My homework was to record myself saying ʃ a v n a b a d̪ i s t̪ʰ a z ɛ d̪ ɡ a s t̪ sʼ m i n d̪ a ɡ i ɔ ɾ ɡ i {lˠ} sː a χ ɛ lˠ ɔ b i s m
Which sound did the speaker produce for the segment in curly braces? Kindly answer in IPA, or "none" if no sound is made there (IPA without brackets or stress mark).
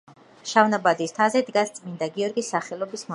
none